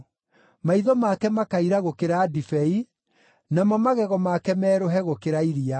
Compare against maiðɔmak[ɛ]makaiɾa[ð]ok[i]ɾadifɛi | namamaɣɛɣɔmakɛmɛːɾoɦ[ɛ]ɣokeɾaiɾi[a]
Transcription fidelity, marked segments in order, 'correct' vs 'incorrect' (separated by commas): correct, incorrect, incorrect, correct, correct